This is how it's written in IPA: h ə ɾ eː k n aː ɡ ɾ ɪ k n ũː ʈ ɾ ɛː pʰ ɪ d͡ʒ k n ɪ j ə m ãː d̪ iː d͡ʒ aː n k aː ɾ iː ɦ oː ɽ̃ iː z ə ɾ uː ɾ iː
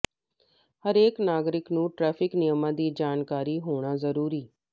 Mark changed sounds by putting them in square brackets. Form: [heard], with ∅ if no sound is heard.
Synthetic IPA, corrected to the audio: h ə ɾ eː k n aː ɡ ɾ ɪ k n ũː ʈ ɾ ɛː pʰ ɪ [∅] k n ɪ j ə m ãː d̪ iː d͡ʒ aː n k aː ɾ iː ɦ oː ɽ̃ [aː] z ə ɾ uː ɾ iː